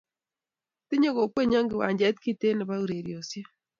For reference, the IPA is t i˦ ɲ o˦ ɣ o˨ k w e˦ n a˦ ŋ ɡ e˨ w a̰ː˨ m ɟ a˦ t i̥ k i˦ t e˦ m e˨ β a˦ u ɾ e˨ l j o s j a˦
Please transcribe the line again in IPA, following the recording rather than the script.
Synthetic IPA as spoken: t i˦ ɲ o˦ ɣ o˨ k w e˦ ɲ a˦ ŋ ɡ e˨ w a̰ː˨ ɲ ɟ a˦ t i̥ k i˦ t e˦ n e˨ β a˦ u ɾ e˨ ɾ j o s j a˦